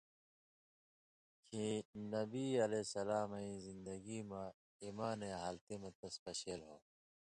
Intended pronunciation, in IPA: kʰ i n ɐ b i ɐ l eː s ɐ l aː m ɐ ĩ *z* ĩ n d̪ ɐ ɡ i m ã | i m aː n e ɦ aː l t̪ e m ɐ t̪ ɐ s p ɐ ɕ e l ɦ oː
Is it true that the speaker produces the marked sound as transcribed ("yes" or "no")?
yes